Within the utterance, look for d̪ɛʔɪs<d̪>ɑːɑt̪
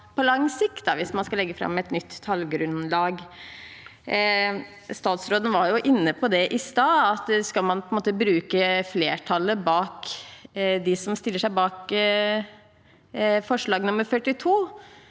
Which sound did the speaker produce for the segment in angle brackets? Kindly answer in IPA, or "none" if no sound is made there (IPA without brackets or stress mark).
t̪